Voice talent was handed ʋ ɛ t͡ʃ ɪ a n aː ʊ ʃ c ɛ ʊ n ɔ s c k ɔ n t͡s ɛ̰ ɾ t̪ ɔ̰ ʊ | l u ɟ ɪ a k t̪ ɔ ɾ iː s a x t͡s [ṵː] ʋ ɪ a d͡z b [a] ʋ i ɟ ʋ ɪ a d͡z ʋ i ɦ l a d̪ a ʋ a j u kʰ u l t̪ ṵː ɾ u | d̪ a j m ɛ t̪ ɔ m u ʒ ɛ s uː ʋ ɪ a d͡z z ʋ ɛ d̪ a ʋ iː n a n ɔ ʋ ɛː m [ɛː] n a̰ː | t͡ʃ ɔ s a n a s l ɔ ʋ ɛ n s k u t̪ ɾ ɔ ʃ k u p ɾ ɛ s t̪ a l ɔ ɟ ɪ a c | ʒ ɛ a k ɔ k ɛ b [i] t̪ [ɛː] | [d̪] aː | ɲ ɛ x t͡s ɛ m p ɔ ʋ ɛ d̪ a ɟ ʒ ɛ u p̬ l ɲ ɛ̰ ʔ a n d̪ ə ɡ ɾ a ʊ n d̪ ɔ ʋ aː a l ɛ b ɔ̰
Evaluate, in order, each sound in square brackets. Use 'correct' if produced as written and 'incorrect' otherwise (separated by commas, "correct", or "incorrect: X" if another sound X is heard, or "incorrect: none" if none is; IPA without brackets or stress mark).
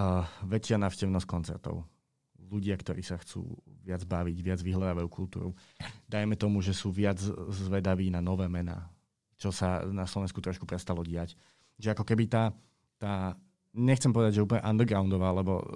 correct, correct, incorrect: ɛ, correct, incorrect: aː, incorrect: t̪